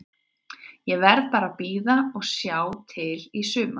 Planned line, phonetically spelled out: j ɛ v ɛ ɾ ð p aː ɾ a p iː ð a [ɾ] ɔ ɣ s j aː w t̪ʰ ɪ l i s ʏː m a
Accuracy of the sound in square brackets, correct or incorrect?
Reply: incorrect